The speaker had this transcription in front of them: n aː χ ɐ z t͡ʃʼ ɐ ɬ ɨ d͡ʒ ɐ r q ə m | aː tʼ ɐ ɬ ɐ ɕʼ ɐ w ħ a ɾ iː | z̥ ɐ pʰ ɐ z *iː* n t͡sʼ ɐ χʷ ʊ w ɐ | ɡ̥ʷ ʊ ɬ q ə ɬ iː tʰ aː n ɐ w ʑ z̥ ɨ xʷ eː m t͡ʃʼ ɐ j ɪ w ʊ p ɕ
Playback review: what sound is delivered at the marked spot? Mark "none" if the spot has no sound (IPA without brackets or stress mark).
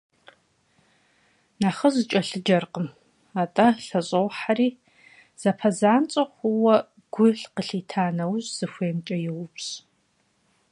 aː